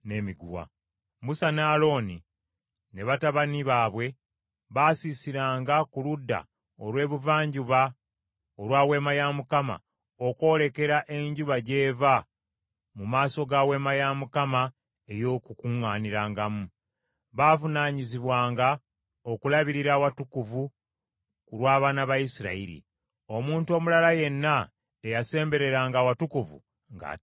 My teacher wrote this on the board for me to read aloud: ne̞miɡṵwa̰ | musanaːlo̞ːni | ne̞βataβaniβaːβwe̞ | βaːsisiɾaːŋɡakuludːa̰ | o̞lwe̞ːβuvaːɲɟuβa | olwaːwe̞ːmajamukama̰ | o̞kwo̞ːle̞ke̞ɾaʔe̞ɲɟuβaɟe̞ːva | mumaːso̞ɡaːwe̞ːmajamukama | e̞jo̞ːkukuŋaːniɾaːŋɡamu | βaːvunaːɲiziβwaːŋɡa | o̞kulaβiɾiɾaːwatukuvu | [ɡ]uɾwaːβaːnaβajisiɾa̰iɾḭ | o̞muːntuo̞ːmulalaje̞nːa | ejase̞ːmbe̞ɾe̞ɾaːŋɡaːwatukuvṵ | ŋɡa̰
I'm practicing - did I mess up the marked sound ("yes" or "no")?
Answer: yes